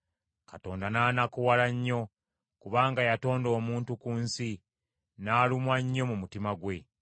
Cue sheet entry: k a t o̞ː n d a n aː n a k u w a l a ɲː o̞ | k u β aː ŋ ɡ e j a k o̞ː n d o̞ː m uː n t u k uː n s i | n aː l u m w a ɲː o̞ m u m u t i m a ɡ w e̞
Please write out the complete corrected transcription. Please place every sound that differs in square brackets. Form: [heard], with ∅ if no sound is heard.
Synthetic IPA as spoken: k a t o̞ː n d a n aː n a k u w a l a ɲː o̞ | k u β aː ŋ ɡ [a] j a [t] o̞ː n d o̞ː m uː n t u k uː n s i | n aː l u m w a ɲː o̞ m u m u t i m a ɡ w e̞